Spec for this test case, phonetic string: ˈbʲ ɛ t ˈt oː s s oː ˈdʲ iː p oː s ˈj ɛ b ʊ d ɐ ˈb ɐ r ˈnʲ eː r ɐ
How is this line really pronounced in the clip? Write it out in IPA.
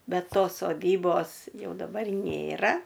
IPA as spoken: ˈbʲ ɛ t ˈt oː s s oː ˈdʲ iː b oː s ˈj ɛ ʊ d ɐ ˈb ɐ r ˈnʲ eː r ɐ